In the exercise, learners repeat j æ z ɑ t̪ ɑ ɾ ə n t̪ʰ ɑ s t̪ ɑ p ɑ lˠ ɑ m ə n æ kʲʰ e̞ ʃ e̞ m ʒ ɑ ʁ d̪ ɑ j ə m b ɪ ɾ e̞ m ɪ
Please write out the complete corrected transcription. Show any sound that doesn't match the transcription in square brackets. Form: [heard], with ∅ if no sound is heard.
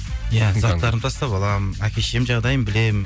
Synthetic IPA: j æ z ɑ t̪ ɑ ɾ ə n t̪ʰ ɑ s t̪ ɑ p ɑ lˠ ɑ m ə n æ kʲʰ e̞ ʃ e̞ m ʒ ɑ ʁ d̪ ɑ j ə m b ɪ [l] e̞ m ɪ